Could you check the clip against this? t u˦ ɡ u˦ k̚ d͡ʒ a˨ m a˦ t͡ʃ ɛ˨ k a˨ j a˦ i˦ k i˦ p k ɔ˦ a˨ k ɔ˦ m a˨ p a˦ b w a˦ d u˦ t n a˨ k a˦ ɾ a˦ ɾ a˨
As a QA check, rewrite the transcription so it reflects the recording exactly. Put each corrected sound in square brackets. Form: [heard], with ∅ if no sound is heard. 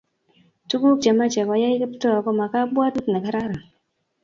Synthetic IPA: t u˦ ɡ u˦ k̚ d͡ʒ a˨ m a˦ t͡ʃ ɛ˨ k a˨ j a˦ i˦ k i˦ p [t] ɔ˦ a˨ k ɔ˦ m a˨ [k] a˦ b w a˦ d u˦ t n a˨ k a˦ ɾ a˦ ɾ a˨